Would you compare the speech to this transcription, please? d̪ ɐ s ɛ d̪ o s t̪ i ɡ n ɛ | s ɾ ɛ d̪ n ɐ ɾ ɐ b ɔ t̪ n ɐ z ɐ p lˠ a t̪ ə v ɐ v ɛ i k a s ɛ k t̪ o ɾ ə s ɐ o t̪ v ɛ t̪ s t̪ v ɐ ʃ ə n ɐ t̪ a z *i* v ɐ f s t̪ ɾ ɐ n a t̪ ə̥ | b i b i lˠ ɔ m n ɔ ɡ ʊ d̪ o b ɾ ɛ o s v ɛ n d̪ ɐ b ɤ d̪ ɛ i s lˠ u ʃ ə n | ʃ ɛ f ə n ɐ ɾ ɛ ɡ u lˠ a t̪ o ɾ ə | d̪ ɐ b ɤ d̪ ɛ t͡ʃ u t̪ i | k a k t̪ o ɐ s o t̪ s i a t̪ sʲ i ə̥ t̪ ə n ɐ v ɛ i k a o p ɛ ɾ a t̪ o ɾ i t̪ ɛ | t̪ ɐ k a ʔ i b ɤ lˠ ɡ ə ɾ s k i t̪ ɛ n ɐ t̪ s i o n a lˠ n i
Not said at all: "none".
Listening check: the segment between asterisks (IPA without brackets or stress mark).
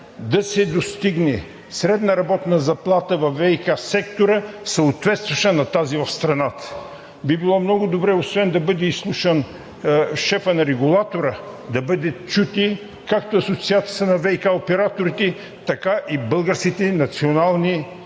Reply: i